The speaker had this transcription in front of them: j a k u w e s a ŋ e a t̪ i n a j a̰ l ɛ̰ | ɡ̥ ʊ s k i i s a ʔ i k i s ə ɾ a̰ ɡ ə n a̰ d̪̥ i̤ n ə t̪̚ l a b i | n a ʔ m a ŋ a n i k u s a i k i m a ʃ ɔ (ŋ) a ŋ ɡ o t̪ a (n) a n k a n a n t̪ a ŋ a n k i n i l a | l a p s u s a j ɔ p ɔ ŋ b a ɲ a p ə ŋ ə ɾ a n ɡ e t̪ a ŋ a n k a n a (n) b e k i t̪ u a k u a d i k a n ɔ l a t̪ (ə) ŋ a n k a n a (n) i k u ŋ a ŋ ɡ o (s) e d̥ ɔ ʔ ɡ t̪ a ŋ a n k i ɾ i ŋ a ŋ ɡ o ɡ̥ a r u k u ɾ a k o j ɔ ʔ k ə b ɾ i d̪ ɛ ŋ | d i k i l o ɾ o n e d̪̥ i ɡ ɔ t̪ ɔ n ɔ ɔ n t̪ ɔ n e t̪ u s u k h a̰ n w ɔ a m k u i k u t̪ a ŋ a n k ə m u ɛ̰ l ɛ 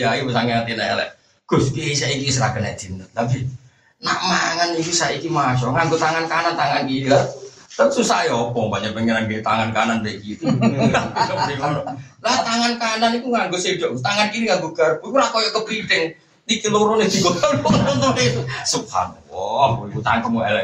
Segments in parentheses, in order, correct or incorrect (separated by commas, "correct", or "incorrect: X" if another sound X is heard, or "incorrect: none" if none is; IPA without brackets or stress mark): correct, incorrect: ŋ, correct, incorrect: a, correct, correct